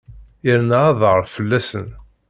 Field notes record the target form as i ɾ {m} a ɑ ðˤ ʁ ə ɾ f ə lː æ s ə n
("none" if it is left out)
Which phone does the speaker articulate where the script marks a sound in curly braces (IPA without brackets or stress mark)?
n